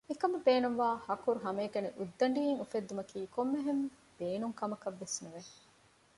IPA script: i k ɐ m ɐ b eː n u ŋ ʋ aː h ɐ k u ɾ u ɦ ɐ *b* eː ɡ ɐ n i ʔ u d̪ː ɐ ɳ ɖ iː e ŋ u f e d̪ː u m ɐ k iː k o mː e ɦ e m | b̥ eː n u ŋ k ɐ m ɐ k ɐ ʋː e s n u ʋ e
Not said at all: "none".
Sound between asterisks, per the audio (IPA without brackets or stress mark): m